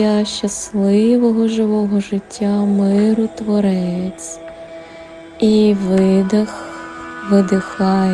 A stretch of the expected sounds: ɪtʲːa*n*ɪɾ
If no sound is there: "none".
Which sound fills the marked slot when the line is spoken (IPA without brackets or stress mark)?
m